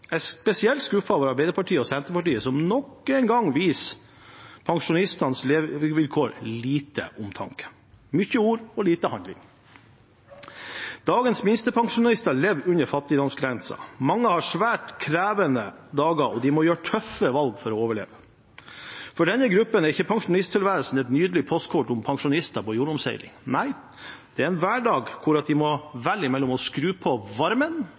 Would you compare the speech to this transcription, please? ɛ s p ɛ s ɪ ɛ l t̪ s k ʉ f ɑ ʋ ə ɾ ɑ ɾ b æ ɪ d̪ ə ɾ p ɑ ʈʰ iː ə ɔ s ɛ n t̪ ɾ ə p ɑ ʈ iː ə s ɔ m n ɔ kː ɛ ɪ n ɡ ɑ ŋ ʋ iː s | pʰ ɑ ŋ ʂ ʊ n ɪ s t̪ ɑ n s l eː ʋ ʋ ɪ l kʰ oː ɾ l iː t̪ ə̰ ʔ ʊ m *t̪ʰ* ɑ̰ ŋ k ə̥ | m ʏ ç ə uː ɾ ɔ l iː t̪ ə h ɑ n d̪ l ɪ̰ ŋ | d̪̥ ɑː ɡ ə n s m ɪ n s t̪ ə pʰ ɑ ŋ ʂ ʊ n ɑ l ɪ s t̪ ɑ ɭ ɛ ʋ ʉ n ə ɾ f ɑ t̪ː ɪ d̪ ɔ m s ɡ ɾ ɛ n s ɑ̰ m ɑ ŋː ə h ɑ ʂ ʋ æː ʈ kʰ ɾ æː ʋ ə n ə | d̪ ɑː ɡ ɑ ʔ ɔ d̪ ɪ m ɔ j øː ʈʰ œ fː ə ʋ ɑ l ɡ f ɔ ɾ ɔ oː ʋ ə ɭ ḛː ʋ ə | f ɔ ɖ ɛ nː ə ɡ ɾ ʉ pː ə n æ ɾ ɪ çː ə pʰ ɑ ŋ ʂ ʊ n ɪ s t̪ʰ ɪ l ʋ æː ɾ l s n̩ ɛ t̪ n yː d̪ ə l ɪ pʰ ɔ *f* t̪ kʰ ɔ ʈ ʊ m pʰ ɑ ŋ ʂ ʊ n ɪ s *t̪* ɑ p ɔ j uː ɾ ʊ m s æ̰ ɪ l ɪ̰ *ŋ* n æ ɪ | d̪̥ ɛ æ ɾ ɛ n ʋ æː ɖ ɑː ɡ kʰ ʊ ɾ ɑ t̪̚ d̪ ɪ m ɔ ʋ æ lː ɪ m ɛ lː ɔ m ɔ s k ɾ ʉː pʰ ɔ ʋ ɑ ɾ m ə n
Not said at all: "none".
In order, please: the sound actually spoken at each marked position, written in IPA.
t̪ʰ, s, t̪, ŋ

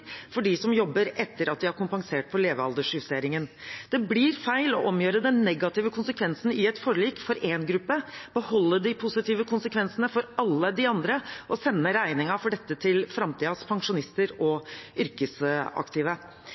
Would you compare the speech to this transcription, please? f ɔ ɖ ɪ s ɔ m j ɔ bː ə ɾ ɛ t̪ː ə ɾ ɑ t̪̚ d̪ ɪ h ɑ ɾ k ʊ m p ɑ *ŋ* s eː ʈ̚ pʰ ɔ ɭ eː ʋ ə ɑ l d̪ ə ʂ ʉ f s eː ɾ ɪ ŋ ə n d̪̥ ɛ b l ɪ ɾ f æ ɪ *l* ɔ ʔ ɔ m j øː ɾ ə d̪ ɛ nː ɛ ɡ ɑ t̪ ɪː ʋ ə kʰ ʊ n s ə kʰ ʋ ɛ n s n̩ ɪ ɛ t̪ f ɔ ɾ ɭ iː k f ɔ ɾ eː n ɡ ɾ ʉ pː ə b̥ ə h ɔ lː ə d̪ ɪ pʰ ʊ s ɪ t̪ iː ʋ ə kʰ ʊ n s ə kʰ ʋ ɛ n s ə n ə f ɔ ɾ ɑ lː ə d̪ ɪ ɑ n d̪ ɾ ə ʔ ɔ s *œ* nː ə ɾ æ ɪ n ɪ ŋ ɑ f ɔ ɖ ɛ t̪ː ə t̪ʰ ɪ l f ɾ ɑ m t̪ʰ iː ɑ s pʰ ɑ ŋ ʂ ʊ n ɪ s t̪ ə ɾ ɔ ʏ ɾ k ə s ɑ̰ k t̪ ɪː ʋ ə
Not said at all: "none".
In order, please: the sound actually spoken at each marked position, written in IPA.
ŋ, l, ɛ

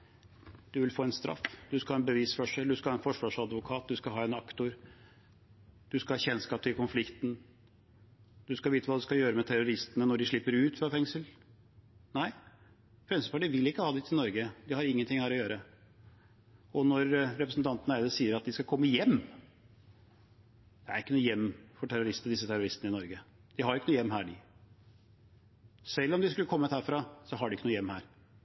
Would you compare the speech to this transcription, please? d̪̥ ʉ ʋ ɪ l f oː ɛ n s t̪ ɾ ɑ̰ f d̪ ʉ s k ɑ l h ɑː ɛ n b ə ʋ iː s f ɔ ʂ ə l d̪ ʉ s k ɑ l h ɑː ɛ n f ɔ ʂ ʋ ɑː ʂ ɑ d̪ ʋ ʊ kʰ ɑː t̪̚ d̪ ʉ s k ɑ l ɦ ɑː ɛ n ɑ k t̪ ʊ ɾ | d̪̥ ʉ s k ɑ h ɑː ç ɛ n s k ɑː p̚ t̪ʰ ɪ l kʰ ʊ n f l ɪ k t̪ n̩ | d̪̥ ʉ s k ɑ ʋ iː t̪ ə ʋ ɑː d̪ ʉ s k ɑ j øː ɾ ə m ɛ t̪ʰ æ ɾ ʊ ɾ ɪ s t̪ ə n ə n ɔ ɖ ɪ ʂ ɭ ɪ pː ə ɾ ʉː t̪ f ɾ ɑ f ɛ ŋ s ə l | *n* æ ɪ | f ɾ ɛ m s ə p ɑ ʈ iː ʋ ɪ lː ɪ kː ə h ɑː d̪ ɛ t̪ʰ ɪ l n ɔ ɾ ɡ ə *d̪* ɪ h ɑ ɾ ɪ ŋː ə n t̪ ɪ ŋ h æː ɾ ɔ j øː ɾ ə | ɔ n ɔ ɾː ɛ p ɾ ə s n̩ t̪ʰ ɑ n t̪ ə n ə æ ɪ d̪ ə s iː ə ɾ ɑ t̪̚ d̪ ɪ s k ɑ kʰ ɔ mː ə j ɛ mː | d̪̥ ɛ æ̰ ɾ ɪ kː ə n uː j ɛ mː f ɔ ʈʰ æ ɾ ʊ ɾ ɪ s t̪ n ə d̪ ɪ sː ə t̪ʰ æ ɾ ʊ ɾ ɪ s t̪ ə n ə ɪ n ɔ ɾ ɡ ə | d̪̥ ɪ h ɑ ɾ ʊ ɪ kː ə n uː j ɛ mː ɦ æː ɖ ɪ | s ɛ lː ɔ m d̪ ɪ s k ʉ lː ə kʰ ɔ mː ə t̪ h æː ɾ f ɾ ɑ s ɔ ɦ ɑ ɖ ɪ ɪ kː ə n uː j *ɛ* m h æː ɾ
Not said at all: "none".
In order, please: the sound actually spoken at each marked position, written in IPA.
n, d̪, ɛ

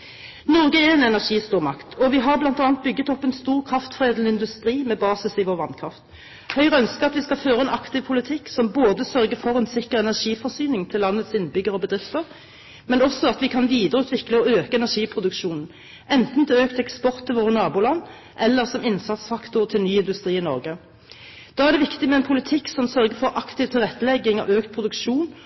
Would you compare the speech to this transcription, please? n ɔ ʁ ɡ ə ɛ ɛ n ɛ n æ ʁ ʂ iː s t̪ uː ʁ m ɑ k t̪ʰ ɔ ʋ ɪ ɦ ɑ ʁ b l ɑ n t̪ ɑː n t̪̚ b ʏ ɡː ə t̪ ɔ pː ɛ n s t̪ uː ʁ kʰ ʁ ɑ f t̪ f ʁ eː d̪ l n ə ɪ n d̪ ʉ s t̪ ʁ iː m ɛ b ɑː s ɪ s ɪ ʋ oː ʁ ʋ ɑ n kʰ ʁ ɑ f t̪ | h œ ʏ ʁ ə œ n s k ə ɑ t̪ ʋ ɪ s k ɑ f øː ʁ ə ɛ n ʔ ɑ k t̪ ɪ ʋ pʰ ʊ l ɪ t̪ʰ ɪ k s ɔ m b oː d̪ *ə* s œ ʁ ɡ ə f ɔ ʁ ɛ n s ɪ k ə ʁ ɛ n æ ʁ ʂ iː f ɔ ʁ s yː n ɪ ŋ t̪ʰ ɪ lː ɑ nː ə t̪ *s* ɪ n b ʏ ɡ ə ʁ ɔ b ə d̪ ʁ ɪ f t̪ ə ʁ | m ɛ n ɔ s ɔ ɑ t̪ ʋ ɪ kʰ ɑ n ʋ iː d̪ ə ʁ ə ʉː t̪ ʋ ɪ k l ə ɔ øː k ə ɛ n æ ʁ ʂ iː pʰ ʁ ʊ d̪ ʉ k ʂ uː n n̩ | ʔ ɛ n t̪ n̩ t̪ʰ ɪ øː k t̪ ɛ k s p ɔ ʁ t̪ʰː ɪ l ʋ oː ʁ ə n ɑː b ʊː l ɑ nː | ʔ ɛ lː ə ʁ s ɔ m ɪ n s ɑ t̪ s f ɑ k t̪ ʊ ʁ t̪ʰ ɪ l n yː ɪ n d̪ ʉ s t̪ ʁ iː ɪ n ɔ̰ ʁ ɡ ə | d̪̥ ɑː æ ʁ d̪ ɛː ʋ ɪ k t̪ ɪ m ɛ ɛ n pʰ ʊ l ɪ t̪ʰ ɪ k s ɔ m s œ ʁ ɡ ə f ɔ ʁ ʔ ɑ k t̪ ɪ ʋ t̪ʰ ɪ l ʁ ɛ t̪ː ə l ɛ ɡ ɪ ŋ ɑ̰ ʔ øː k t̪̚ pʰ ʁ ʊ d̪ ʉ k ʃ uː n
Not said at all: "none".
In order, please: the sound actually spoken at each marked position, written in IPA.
ə, s

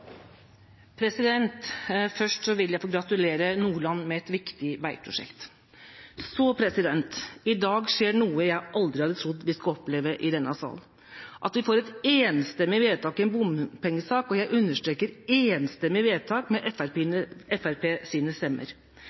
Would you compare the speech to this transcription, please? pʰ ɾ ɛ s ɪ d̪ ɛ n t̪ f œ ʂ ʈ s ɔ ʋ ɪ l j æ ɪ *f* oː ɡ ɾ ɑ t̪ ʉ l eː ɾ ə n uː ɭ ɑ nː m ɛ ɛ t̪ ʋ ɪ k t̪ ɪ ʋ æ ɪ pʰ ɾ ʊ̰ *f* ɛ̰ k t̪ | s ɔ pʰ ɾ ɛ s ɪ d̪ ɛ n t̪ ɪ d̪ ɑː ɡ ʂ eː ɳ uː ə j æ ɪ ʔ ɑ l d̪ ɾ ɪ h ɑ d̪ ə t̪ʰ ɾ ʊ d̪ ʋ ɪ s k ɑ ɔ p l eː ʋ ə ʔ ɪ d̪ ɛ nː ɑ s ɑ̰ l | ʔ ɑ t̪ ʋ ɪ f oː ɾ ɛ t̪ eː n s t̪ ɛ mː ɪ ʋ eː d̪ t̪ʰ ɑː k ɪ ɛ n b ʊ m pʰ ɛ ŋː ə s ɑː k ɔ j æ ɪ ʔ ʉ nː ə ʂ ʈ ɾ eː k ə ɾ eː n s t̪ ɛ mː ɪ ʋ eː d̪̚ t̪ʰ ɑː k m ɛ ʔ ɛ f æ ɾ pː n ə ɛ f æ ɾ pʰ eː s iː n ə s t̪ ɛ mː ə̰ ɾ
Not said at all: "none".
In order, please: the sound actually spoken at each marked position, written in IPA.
f, ʂ

